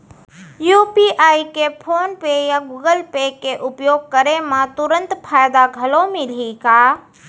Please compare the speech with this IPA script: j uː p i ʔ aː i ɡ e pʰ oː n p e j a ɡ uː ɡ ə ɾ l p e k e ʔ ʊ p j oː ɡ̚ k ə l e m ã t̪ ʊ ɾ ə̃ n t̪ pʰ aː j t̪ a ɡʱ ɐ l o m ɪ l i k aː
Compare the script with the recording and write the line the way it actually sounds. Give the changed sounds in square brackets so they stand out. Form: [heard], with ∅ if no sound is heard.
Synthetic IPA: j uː p i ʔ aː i [k] e pʰ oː n p e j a ɡ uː ɡ ə [∅] l p e k e ʔ ʊ p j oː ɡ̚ k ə [ɾ] e m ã t̪ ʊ ɾ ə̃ n t̪ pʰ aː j [d̪] a ɡʱ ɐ l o m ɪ l i k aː

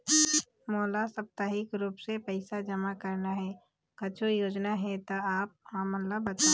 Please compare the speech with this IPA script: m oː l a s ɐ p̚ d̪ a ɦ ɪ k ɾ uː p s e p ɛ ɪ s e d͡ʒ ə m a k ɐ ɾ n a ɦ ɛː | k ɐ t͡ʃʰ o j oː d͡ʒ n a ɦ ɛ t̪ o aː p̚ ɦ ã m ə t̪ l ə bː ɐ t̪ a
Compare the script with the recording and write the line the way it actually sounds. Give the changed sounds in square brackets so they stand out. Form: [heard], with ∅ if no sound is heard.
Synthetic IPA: m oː l a s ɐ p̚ [t̪] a ɦ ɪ k ɾ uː p s e p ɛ ɪ s [a] d͡ʒ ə m a k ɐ ɾ n a ɦ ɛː | k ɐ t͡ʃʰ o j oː d͡ʒ n a ɦ ɛ t̪ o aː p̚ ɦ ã m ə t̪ l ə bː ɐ t̪ a

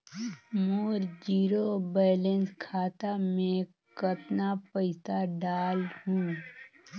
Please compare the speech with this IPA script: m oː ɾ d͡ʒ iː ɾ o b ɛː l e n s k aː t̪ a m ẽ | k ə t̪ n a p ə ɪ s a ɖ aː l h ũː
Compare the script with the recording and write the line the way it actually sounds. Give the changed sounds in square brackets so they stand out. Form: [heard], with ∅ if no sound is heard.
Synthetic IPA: m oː ɾ d͡ʒ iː ɾ o b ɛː l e n s [kʰ] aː t̪ a m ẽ | k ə t̪ n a p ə ɪ s a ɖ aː l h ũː

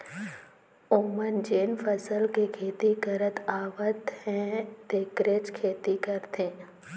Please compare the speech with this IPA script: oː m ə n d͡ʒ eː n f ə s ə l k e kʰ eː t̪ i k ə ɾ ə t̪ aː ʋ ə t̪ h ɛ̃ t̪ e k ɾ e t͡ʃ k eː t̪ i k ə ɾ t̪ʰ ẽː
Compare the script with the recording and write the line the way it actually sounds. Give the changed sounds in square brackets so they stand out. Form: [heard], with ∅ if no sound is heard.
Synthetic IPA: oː m ə n d͡ʒ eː n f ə s ə l k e kʰ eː t̪ i k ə ɾ ə t̪ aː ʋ ə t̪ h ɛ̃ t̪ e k ɾ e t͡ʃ [kʰ] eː t̪ i k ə ɾ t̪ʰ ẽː

